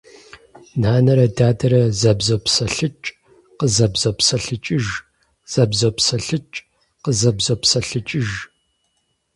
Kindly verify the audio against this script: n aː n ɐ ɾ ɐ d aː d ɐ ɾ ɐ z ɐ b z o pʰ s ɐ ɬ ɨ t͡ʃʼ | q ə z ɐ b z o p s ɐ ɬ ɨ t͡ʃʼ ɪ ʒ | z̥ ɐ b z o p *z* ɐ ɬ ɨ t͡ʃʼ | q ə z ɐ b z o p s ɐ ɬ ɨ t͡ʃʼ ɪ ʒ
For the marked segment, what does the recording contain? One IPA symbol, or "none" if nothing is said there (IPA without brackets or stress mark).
s